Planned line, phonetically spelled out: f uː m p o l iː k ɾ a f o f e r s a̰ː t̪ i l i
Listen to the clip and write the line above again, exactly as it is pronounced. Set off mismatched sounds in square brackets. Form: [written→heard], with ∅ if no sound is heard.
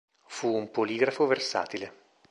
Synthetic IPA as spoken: f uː m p o l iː [k→ɡ] ɾ a f o [f→v] e r s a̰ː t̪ i l [i→e]